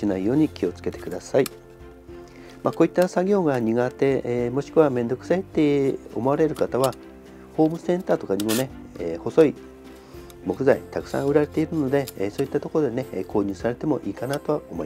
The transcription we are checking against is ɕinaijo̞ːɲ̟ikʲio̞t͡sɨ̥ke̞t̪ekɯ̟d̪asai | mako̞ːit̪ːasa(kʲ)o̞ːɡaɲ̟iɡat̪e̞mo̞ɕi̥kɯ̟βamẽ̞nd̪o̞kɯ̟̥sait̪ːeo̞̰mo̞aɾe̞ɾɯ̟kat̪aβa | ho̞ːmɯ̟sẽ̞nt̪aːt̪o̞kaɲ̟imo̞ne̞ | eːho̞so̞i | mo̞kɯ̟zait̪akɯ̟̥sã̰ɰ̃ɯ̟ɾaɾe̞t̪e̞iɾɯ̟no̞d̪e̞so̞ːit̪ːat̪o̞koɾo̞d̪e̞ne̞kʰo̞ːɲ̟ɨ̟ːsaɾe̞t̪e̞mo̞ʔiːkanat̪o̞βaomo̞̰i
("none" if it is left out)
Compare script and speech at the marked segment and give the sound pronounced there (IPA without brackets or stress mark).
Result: ɡʲ